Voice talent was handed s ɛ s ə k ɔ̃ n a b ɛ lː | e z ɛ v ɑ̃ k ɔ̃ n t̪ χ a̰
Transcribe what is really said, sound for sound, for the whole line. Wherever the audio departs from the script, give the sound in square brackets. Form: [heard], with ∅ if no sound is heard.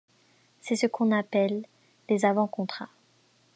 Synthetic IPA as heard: s ɛ s ə k ɔ̃ n a [p] ɛ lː | e z [a] v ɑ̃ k ɔ̃ [∅] t̪ χ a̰